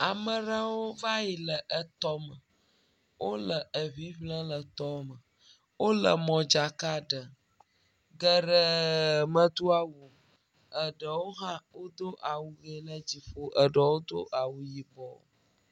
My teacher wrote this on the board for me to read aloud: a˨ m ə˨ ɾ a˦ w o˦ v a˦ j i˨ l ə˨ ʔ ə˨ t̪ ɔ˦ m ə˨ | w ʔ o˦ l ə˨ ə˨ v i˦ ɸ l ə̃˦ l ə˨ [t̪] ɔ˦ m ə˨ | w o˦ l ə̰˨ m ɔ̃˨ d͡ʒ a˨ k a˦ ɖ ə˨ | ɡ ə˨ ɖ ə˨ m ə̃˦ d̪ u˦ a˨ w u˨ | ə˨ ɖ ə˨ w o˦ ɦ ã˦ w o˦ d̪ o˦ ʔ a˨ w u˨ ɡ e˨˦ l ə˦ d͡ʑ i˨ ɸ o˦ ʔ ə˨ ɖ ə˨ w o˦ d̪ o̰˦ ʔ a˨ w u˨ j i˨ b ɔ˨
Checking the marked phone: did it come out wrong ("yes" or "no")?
no